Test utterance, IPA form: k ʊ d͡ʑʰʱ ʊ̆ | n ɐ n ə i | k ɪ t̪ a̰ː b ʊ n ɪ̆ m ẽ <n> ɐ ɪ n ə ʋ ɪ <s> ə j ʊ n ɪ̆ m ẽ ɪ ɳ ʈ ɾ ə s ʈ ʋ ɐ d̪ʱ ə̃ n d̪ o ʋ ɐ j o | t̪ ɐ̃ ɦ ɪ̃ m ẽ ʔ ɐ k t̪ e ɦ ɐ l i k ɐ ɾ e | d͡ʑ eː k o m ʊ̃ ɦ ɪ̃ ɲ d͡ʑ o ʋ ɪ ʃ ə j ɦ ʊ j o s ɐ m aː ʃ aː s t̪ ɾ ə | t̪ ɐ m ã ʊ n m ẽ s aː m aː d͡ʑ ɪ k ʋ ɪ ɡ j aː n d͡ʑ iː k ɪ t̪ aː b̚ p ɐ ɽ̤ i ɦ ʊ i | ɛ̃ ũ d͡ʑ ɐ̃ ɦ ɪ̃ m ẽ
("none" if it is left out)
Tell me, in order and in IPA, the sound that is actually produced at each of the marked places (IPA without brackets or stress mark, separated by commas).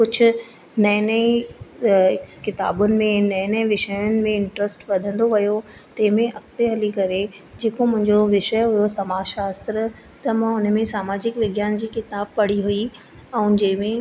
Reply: n, ʃ